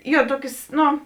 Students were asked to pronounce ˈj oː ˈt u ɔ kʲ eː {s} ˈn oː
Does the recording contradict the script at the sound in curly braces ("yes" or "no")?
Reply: no